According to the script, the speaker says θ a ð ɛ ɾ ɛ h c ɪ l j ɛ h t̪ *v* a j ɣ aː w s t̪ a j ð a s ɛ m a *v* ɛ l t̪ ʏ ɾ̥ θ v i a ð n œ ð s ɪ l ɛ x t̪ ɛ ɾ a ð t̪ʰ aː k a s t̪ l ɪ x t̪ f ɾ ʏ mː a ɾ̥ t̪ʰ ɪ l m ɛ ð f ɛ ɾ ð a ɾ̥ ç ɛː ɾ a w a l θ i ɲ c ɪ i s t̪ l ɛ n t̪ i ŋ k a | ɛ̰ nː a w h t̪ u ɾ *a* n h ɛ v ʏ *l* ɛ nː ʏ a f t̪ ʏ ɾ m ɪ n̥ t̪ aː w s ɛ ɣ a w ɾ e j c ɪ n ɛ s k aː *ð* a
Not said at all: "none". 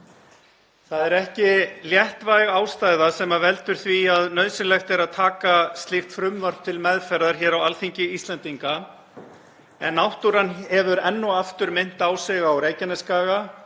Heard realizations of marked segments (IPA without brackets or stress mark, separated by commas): v, v, a, ɾ, ɣ